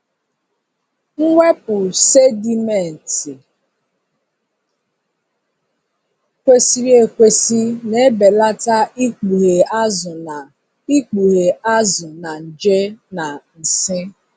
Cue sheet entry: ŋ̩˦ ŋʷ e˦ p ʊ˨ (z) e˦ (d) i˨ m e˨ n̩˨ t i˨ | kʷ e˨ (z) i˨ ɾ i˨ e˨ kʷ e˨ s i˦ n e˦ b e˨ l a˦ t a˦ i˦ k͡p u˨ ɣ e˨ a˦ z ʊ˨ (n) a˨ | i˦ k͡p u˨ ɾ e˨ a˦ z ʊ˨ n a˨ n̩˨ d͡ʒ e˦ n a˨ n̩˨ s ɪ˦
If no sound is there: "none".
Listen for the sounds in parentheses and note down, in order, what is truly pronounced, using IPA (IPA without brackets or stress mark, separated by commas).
s, d, s, n